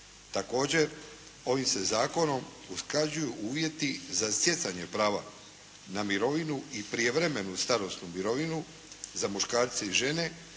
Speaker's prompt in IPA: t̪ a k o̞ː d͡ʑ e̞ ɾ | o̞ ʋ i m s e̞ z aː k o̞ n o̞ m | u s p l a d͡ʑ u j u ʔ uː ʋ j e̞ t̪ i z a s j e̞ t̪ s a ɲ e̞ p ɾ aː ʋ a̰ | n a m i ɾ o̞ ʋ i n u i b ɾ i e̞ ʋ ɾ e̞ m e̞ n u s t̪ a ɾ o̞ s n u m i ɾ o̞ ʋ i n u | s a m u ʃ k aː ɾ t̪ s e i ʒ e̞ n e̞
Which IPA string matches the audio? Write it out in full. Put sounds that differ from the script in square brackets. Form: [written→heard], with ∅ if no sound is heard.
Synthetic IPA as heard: t̪ a k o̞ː d͡ʑ e̞ ɾ | o̞ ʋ i m s e̞ z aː k o̞ n o̞ m | u s [p→k] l a d͡ʑ u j u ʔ uː ʋ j e̞ t̪ i z a s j e̞ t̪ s a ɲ e̞ p ɾ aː ʋ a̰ | n a m i ɾ o̞ ʋ i n u i [b→p] ɾ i e̞ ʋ ɾ e̞ m e̞ n u s t̪ a ɾ o̞ s n u m i ɾ o̞ ʋ i n u | [s→z] a m u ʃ k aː ɾ t̪ s e i ʒ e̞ n e̞